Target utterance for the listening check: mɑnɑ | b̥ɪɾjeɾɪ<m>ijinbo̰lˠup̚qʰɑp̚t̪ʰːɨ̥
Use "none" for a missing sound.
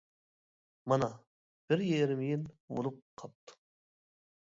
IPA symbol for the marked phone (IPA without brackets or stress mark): m